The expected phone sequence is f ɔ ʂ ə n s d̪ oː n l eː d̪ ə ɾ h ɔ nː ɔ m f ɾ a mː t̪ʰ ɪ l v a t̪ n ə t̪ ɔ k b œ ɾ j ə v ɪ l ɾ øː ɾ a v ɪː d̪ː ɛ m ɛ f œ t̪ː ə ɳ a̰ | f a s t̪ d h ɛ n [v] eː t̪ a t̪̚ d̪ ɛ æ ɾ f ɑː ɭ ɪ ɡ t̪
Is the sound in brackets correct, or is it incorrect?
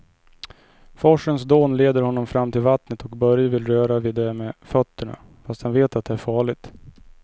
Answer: correct